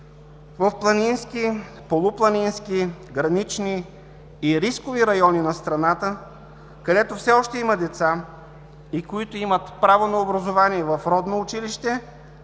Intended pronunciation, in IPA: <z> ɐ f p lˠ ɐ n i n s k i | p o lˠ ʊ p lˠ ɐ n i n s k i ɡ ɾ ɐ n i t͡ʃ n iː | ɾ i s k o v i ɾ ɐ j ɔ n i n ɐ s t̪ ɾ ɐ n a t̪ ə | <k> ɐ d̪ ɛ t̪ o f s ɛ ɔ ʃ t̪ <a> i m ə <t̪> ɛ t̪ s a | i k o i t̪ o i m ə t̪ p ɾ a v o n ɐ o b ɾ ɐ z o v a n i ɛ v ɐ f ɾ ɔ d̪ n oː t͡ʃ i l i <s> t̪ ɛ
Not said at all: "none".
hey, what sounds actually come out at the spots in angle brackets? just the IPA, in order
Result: v, k, ɛ, d̪, ʃ

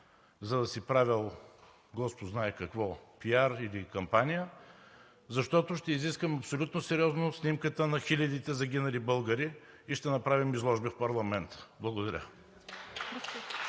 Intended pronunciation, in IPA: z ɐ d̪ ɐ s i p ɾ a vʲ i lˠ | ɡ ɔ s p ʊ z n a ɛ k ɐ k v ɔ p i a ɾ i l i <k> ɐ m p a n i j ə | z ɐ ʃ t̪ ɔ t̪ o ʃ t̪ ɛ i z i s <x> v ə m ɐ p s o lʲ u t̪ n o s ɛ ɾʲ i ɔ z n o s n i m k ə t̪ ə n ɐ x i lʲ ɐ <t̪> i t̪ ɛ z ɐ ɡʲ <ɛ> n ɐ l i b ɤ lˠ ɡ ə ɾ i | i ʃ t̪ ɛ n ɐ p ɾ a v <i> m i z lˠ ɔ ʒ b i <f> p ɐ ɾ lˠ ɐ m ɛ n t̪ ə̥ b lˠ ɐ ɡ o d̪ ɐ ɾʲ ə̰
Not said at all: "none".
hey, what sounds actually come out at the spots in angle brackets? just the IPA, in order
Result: k, k, d̪, i, i, f

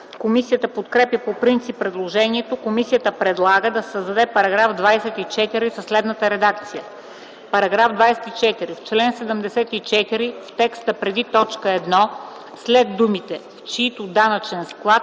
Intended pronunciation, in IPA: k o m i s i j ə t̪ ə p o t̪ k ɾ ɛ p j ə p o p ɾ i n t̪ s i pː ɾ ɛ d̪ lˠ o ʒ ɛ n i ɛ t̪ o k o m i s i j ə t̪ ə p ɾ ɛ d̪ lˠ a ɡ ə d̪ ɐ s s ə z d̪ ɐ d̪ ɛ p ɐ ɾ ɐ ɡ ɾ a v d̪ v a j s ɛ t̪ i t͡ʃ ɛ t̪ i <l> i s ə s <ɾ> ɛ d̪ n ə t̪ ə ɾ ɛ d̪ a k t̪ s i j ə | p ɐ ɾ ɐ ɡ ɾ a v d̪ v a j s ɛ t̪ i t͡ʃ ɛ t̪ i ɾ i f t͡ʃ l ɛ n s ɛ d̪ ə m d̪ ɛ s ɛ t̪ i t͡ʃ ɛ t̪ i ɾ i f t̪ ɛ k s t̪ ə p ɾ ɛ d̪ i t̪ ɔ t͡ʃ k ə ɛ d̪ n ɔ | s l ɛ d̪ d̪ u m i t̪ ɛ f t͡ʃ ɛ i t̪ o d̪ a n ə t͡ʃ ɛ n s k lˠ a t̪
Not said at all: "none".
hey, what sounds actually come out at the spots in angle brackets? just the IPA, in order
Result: ɾ, l

